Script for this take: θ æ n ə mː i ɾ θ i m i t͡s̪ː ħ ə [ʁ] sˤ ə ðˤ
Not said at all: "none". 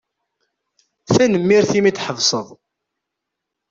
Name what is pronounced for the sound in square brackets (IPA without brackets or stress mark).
v